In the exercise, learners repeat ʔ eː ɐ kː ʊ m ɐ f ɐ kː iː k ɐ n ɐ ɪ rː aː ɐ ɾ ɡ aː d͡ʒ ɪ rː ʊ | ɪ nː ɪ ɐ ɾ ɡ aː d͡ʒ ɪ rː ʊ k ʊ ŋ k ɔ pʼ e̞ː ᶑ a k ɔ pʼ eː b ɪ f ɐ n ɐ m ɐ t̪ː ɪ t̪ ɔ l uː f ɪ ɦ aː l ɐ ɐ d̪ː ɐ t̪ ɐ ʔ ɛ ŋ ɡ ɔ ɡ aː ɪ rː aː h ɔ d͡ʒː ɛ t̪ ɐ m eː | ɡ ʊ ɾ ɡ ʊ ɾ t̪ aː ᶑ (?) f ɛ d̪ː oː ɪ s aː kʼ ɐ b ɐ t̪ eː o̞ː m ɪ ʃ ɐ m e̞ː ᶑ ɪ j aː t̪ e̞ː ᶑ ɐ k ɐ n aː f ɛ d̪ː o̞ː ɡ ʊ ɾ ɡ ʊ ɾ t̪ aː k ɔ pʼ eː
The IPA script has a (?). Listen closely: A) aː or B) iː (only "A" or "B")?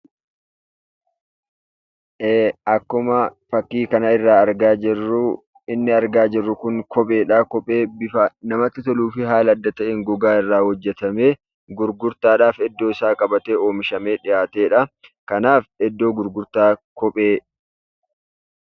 A